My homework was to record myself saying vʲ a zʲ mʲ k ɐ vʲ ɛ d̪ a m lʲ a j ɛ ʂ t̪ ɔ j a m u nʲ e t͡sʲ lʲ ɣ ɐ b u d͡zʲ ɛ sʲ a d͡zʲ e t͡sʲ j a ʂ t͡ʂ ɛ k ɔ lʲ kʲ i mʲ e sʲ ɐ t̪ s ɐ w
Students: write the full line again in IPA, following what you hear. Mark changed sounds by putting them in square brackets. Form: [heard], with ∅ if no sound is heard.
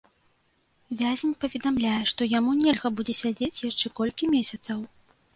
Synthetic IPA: vʲ a zʲ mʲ [p] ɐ vʲ ɛ d̪ a m lʲ a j ɛ ʂ t̪ ɔ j a m u nʲ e [∅] lʲ ɣ ɐ b u d͡zʲ ɛ sʲ a d͡zʲ e t͡sʲ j a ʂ t͡ʂ ɛ k ɔ lʲ kʲ i mʲ e sʲ ɐ t̪ s ɐ w